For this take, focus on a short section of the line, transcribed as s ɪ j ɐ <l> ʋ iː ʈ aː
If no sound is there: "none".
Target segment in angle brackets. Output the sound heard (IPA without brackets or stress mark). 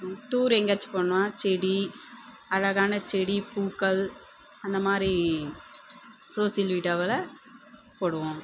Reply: l